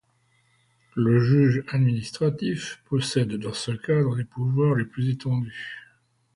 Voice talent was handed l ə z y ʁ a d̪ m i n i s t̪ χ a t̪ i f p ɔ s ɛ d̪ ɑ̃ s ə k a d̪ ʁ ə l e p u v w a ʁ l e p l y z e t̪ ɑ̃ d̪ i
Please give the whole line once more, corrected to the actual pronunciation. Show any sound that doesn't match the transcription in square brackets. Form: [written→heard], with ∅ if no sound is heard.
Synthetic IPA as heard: l ə [z→ʒ] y [ʁ→ʒ] a d̪ m i n i s t̪ χ a t̪ i f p ɔ s ɛ [d̪→d̪ː] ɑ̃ s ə k a d̪ ʁ ə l e p u v w a ʁ l e p l y z e t̪ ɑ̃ d̪ [i→y]